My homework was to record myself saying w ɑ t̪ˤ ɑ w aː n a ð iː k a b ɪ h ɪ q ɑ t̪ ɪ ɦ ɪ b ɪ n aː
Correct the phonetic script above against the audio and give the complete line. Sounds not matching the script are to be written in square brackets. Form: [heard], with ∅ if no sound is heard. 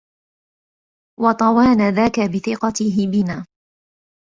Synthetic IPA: w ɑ t̪ˤ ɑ w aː n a ð [aː] k a b ɪ [θ] ɪ q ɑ t̪ ɪ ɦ ɪ b ɪ n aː

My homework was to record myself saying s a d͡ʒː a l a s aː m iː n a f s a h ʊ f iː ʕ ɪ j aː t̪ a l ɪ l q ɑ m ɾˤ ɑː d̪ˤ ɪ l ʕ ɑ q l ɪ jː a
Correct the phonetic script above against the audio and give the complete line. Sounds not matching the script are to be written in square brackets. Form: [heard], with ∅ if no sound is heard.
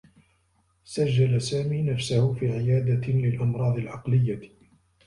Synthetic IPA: s a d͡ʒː a l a s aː m iː n a f s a h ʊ f iː ʕ ɪ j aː [d̪] a l ɪ l [ʔ] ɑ m ɾˤ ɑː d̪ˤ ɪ l ʕ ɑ q l ɪ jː a

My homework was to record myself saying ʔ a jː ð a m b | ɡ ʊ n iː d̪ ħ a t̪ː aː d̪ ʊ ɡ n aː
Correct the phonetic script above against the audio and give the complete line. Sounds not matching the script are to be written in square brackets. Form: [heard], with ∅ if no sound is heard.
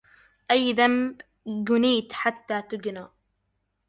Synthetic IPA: ʔ a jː ð a m b | ɡ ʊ n iː [t̪] ħ a t̪ː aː [t̪] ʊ ɡ n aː

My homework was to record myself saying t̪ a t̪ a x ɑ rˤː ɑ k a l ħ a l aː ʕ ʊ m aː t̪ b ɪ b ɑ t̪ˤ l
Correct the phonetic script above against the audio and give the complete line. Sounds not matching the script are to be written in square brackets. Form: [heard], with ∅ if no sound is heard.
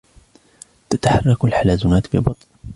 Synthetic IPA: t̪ a t̪ a [ħ] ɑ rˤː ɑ k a l ħ a l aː [z] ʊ [n] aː t̪ b ɪ b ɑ t̪ˤ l

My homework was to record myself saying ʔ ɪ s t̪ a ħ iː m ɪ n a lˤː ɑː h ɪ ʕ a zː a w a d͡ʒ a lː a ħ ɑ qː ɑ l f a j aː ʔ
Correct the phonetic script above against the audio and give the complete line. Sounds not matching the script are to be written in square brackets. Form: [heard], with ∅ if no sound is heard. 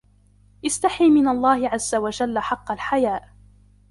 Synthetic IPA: ʔ ɪ s t̪ a ħ iː m ɪ n a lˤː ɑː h ɪ ʕ a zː a w a d͡ʒ a lː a ħ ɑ qː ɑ l [ħ] a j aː ʔ

